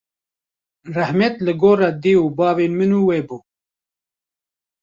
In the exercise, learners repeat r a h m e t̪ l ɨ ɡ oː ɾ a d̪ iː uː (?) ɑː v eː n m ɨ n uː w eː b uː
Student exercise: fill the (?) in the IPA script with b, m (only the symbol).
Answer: b